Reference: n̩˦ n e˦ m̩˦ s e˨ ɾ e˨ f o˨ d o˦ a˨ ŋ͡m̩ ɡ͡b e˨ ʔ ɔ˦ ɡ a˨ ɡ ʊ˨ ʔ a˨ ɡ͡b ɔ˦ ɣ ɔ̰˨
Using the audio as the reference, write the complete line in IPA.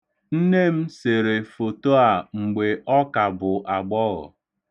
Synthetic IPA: n̩˦ n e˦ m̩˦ s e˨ ɾ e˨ f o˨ t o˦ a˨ ŋ͡m̩ ɡ͡b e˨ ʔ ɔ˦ k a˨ b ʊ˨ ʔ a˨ ɡ͡b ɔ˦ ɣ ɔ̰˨